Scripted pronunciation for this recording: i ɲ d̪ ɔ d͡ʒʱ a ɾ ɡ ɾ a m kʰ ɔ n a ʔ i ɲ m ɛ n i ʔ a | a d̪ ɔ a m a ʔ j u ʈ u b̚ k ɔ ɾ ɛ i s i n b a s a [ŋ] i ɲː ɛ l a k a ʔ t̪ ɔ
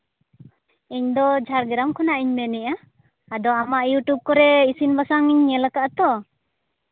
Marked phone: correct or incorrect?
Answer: correct